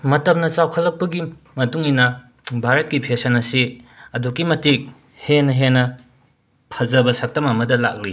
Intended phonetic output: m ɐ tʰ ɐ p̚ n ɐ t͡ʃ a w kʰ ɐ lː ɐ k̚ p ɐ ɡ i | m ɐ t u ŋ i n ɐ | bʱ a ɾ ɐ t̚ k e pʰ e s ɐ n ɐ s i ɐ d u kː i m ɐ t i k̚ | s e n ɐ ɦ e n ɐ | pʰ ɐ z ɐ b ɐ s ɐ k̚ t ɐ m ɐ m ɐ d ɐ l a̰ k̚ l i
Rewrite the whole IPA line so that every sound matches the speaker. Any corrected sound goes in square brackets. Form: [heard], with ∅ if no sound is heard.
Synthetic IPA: m ɐ [t] ɐ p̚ n ɐ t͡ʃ a w kʰ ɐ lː ɐ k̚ p ɐ ɡ i | m ɐ t u ŋ i n ɐ | bʱ a ɾ ɐ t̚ k [i] pʰ e s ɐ n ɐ s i ɐ d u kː i m ɐ t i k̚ | [h] e n ɐ ɦ e n ɐ | pʰ ɐ z ɐ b ɐ s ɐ k̚ t ɐ m ɐ m ɐ d ɐ l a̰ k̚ l i